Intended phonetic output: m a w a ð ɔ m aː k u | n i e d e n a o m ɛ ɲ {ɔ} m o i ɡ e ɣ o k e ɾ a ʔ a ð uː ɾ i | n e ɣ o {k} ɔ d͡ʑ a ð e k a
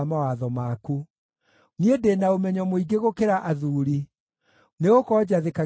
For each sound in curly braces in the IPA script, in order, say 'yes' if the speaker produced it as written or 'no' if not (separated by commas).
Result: yes, yes